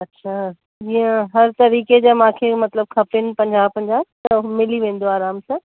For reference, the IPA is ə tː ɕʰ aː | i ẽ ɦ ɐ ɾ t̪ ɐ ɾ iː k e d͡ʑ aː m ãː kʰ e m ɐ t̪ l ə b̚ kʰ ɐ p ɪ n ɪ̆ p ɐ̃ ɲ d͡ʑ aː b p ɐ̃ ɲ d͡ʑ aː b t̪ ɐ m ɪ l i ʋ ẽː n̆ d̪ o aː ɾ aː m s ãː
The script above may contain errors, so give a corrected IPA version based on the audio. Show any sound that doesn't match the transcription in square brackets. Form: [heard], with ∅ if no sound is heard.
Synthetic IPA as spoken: [ɐ] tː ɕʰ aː | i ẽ ɦ ɐ ɾ t̪ ɐ ɾ iː k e d͡ʑ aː m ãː kʰ e m ɐ t̪ l ə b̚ kʰ ɐ p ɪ n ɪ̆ p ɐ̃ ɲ d͡ʑ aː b p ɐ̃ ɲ d͡ʑ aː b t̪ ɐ m ɪ l i ʋ ẽː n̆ d̪ o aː ɾ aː m s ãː